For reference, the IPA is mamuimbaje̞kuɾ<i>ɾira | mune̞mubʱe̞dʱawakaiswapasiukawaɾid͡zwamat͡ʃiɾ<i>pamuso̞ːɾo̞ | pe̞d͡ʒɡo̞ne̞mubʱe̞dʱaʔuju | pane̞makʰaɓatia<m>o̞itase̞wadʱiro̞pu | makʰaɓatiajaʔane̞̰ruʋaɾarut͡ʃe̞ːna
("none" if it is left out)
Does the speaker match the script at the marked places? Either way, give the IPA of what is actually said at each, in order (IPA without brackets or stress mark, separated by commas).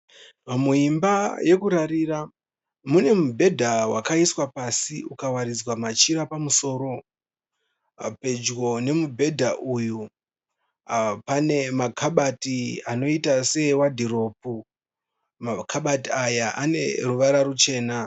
a, a, n